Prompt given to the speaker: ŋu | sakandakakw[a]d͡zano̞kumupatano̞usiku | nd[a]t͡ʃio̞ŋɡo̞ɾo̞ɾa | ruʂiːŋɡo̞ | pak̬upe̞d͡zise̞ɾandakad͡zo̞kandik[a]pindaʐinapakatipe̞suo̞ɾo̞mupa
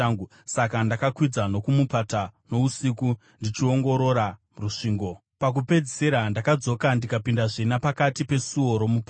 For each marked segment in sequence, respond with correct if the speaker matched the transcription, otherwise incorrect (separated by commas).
incorrect, incorrect, correct